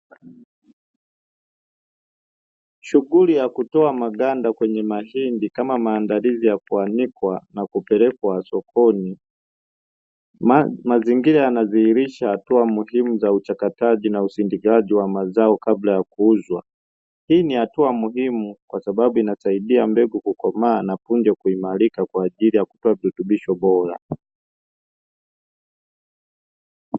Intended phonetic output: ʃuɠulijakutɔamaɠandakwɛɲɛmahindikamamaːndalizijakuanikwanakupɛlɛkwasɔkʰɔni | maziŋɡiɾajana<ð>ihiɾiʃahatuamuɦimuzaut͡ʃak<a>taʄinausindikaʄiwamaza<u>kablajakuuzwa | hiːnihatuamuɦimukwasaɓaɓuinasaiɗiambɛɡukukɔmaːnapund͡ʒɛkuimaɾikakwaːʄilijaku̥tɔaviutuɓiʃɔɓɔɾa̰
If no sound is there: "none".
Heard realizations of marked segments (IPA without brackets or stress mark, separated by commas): z, a, ɔ